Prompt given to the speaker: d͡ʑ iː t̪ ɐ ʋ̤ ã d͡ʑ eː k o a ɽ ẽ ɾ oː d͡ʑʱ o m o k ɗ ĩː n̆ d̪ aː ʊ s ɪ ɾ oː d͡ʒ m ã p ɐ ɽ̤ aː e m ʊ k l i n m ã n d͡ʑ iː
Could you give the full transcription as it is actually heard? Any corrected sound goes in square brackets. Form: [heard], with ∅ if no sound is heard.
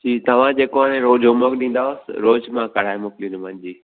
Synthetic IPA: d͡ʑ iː t̪ ɐ ʋ̤ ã d͡ʑ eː k o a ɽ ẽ ɾ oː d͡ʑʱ o m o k ɗ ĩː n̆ d̪ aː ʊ s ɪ ɾ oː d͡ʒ m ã [k] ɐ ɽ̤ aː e m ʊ k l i n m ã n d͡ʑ iː